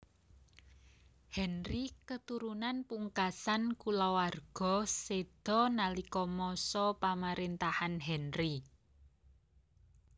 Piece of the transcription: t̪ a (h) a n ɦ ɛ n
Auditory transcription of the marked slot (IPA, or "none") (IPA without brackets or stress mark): h